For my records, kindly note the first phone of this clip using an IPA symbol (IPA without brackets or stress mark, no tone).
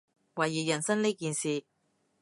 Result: w